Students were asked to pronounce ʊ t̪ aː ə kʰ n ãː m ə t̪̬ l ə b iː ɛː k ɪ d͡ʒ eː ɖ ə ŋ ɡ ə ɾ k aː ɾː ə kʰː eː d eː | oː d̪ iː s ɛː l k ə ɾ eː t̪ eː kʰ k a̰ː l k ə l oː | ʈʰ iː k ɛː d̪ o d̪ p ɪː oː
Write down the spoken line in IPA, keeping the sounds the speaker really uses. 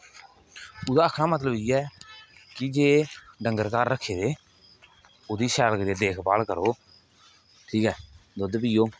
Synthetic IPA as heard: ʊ d̪ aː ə kʰ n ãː m ə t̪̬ l ə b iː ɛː k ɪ d͡ʒ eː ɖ ə ŋ ɡ ə ɾ k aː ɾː ə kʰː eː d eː | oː d̪ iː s ɛː l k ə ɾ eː d̪ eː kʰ p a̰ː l k ə ɾ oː | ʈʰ iː k ɛː d̪ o d̪ p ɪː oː